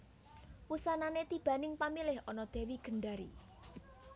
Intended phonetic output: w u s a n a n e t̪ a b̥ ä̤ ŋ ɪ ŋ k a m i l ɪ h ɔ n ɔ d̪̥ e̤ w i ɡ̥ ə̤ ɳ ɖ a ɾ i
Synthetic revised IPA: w u s a n a n e t̪ i b̥ ä̤ n ɪ ŋ p a m i l ɪ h ɔ n ɔ d̪̥ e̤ w i ɡ̥ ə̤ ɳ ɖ a ɾ i